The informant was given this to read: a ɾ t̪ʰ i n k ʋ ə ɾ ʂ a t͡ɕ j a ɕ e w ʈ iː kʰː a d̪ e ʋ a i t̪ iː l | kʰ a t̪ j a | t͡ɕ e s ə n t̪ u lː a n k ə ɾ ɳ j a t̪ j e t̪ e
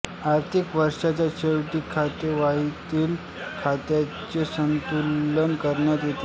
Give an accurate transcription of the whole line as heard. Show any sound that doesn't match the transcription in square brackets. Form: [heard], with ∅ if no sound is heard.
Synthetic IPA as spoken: a ɾ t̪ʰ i [∅] k ʋ ə ɾ ʂ a t͡ɕ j a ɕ e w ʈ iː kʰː a [t̪] e ʋ a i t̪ iː l | kʰ a t̪ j a | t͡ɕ e s ə n t̪ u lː [ə] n k ə ɾ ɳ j a t̪ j e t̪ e